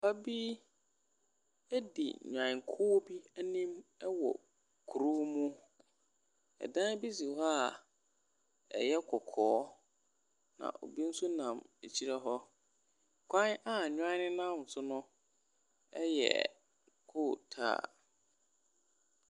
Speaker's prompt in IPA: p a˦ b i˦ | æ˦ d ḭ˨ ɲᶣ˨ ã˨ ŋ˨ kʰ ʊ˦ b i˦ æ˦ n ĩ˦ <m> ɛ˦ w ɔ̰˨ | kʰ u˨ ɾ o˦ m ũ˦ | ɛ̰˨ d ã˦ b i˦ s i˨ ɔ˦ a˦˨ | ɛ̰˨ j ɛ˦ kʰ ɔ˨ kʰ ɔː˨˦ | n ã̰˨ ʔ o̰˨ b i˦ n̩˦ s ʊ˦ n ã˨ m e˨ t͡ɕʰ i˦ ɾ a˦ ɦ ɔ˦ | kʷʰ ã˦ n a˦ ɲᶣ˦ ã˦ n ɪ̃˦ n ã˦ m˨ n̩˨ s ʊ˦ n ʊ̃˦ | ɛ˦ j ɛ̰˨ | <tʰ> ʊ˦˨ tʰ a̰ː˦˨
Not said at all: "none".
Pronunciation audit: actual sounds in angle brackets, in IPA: m, kʰ

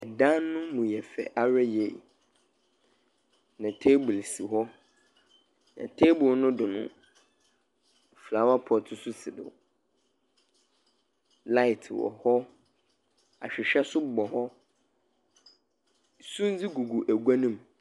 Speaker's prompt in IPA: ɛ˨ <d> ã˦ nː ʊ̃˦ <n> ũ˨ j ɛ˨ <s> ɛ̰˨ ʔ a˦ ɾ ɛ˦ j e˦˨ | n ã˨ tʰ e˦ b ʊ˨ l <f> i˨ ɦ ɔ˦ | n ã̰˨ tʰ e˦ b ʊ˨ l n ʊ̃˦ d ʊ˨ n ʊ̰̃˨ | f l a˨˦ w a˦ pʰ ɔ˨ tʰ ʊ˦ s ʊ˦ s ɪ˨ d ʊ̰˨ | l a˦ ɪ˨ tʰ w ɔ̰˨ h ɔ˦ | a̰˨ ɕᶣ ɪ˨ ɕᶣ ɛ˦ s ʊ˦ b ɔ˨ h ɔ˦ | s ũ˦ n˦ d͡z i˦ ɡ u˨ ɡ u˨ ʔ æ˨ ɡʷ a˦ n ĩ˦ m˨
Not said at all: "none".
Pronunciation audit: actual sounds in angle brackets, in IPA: d, m, f, s

